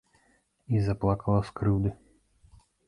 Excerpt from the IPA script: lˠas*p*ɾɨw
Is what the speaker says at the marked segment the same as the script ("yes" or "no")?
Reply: no